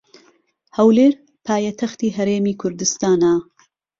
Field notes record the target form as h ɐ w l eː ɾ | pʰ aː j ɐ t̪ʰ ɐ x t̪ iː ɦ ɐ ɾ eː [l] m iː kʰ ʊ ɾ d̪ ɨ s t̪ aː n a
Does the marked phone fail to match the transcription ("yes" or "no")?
yes